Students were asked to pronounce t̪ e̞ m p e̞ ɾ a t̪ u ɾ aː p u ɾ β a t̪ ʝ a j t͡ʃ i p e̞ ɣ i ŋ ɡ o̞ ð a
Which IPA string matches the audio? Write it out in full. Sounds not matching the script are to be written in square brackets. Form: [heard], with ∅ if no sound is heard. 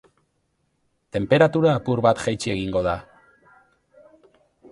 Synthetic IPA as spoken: t̪ e̞ m p e̞ ɾ a t̪ u ɾ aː p u ɾ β a t̪ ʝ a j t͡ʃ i [∅] e̞ ɣ i ŋ ɡ o̞ ð a